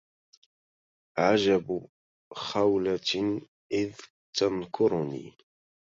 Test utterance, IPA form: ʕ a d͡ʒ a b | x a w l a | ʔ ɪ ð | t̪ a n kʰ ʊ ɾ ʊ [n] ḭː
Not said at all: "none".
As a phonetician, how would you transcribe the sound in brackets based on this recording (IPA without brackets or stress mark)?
n